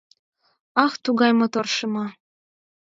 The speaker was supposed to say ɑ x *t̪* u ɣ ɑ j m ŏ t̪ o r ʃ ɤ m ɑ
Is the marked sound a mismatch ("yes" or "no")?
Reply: no